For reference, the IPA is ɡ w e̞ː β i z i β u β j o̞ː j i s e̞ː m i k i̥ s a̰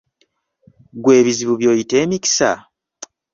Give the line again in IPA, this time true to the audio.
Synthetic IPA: ɡ w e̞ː β i z i β u β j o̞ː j i t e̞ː m i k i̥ s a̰